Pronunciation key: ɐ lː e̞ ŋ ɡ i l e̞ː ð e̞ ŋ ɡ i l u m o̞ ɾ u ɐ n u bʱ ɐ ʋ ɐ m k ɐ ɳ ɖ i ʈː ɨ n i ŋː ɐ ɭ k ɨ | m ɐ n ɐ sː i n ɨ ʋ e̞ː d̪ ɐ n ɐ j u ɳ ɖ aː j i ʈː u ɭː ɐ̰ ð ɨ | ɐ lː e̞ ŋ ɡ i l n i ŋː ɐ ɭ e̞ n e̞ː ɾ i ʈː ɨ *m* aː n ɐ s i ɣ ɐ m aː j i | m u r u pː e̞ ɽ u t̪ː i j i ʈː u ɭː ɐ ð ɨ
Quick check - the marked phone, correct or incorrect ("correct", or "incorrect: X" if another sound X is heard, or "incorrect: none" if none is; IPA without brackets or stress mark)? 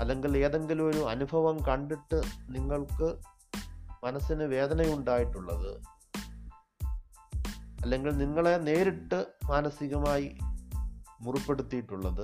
correct